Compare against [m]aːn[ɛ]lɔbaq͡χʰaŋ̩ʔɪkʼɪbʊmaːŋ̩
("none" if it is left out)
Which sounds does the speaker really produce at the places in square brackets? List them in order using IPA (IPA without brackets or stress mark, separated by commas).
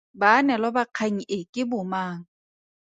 b, ɛ